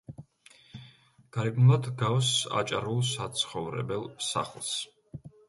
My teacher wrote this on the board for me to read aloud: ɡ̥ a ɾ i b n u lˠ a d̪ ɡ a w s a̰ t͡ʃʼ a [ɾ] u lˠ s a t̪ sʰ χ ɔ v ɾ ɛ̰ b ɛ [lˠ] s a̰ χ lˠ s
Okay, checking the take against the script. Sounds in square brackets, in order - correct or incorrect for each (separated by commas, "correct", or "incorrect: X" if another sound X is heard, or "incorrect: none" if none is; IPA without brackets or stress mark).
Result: correct, correct